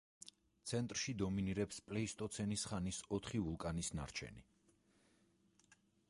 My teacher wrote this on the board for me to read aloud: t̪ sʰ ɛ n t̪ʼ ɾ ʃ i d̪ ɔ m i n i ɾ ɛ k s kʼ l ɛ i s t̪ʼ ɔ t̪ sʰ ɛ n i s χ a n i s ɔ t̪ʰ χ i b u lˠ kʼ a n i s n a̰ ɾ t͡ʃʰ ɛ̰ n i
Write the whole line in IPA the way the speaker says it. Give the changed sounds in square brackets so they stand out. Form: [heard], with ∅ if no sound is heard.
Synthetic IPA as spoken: t̪ sʰ ɛ n t̪ʼ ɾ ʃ i d̪ ɔ m i n i ɾ ɛ [p] s [pʼ] l ɛ i s t̪ʼ ɔ t̪ sʰ ɛ n i s χ a n i s ɔ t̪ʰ χ i [v] u lˠ kʼ a n i s n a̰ ɾ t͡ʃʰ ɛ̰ n i